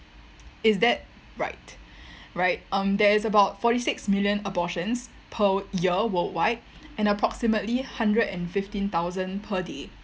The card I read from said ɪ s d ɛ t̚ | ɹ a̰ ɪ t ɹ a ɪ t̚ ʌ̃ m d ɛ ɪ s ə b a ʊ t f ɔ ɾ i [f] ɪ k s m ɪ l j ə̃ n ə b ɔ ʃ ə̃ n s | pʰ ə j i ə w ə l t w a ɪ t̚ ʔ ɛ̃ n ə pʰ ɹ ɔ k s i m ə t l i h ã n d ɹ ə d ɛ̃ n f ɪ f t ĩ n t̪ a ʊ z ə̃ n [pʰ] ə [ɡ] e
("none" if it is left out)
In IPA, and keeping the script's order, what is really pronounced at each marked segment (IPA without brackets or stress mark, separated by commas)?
s, pʰ, d